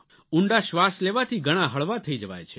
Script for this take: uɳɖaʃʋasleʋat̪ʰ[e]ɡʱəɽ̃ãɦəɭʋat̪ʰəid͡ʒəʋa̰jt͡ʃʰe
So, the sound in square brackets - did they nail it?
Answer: no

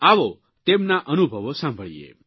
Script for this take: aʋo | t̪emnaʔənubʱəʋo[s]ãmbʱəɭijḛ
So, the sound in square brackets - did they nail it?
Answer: yes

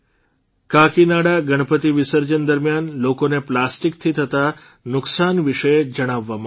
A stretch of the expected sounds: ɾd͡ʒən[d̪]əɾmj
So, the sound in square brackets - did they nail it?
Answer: yes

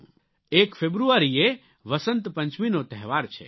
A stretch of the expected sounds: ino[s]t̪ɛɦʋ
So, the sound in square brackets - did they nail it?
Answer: no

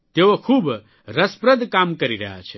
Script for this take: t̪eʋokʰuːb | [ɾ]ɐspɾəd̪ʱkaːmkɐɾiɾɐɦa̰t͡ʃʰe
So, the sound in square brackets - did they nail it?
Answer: yes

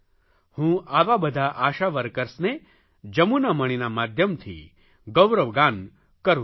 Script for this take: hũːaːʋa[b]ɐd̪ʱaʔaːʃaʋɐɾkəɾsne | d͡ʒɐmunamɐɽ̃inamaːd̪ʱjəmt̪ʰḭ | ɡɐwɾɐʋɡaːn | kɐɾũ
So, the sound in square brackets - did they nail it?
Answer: yes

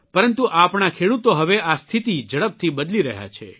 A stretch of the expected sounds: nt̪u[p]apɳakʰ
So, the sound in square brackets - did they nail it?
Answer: no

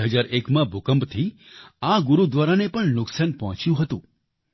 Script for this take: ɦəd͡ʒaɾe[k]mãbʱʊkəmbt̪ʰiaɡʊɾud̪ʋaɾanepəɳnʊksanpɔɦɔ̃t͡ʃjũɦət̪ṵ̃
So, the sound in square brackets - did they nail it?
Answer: yes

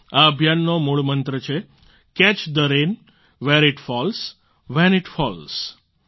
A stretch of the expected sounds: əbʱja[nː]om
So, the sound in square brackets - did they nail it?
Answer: yes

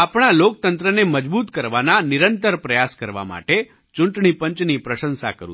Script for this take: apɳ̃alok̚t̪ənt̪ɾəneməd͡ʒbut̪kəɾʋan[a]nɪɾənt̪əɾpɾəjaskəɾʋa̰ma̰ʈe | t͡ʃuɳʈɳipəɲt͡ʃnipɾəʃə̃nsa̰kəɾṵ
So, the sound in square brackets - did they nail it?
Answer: yes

